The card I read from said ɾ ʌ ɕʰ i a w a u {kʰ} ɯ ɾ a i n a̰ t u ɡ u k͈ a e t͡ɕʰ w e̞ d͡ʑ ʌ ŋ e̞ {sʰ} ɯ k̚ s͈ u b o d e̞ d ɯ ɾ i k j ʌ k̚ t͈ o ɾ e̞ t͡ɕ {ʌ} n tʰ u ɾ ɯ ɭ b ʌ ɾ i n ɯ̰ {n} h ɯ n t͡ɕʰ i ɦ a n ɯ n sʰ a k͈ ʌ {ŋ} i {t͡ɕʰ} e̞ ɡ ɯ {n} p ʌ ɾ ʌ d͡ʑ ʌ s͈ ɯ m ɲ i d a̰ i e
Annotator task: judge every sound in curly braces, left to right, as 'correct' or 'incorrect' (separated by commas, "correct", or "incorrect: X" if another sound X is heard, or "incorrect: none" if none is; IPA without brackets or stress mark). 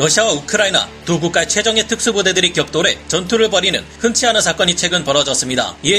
correct, incorrect: tʰ, correct, correct, incorrect: ɲ, correct, correct